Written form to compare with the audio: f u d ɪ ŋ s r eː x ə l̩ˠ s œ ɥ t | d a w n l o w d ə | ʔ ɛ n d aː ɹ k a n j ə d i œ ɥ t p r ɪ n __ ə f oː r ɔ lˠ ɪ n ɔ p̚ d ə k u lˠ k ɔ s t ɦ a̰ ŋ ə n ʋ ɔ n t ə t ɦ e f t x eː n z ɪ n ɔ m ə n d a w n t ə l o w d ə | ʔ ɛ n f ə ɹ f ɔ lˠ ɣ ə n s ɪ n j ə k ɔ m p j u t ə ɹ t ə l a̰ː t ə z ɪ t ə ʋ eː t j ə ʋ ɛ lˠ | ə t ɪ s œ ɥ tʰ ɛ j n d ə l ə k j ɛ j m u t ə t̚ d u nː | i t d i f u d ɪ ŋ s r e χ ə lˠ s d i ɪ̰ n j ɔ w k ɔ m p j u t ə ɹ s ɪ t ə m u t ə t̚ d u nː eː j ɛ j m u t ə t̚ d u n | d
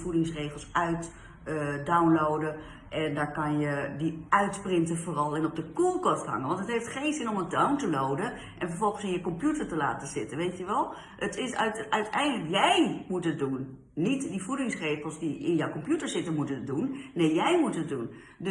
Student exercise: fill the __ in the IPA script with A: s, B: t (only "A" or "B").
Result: B